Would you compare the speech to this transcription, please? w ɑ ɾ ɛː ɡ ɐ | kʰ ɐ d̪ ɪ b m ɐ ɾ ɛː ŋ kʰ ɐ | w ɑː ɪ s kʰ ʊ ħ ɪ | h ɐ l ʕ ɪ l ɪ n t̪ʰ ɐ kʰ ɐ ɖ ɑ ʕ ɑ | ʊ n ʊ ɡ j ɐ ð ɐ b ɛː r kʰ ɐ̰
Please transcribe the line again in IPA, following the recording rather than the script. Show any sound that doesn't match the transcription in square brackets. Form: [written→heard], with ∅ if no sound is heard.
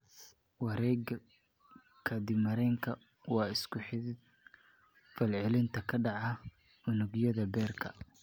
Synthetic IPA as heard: w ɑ ɾ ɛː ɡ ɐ | kʰ ɐ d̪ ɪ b m ɐ ɾ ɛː ŋ kʰ ɐ | w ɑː ɪ s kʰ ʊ ħ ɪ | [h→f] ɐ l ʕ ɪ l ɪ n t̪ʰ ɐ kʰ ɐ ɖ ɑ ʕ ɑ | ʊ n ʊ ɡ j ɐ ð ɐ b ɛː r kʰ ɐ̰